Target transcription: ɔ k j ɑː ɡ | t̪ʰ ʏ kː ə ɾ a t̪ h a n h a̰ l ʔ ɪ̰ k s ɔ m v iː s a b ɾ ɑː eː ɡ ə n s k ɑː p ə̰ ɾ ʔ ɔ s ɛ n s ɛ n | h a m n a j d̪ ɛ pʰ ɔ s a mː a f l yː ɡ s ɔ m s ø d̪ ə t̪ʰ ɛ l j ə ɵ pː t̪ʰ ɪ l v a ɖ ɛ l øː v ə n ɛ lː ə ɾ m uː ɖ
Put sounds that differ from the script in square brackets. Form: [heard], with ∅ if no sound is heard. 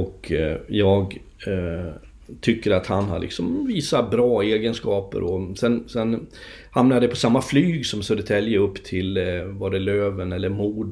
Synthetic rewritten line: ɔ k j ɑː ɡ | t̪ʰ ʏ kː ə ɾ a t̪ h a n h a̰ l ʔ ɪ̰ k s ɔ m v iː s a b ɾ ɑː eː ɡ ə n s k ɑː p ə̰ ɾ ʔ ɔ s ɛ n s ɛ n | h a m n a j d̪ ɛ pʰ ɔ s a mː a f l yː ɡ s ɔ m s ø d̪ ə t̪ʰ ɛ l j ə ɵ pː t̪ʰ ɪ l v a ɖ ɛ l øː v ə n ɛ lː ə ɾ m uː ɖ